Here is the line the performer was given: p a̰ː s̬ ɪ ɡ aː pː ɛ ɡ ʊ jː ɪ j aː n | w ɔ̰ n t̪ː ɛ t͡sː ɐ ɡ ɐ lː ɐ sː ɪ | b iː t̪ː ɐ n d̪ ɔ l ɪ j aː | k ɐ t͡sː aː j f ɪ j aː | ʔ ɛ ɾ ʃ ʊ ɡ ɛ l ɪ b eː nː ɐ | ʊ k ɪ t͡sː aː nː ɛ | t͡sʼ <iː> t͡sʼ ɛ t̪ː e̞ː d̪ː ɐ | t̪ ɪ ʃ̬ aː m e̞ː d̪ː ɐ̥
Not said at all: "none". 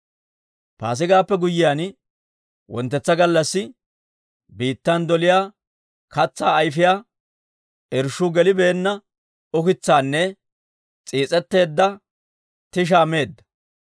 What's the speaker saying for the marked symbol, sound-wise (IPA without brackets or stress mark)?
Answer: iː